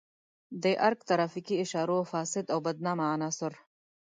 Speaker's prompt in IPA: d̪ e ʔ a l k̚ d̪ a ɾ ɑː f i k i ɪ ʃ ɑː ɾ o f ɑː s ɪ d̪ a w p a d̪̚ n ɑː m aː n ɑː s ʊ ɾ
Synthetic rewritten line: d̪ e ʔ a ɾ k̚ t̪ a ɾ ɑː f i k i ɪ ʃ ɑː ɾ o f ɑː s ɪ d̪ a w b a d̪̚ n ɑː m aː n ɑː s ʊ ɾ